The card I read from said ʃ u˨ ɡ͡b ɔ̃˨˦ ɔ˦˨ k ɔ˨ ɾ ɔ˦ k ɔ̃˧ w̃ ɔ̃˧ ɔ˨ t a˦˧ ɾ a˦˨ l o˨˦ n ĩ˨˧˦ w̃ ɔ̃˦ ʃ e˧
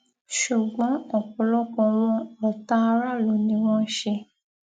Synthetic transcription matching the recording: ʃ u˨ ɡ͡b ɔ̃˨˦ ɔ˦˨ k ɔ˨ l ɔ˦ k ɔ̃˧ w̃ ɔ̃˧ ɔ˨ t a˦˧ ɾ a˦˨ l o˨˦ n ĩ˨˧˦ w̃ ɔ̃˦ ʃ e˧